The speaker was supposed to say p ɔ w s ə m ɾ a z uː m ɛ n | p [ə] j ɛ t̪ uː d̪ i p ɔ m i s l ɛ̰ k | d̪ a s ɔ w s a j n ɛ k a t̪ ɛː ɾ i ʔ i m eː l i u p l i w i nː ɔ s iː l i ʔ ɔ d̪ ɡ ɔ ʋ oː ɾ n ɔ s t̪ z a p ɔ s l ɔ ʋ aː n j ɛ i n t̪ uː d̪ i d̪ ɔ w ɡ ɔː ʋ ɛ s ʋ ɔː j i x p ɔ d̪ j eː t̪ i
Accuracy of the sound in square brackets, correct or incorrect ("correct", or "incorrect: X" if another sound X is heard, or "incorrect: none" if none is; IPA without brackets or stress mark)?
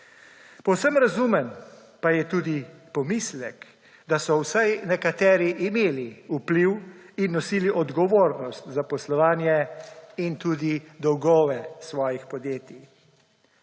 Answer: incorrect: a